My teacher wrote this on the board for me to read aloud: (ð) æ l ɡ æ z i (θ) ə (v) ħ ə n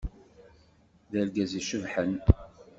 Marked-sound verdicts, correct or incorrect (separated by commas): correct, incorrect, correct